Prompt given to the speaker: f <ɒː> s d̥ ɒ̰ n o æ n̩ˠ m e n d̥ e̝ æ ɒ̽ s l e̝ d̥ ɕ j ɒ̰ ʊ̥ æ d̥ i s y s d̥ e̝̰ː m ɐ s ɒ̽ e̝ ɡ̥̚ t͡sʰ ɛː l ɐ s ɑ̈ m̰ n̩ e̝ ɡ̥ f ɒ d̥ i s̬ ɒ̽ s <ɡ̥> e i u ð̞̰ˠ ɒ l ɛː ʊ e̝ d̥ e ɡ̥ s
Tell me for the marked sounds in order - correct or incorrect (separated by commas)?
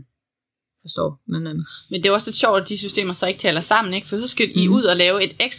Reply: incorrect, correct